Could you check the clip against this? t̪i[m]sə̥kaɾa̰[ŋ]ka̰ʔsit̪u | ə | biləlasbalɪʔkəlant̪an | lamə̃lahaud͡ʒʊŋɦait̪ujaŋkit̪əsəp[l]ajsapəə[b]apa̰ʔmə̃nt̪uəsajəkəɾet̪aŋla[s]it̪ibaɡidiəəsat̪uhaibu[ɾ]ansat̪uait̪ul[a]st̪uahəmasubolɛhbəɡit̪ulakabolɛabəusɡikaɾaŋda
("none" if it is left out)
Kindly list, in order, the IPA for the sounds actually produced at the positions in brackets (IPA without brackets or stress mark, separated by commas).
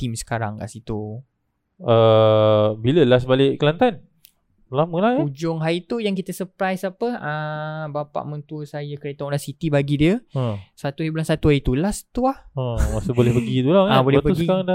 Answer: m, ŋ, ɾ, b, s, l, a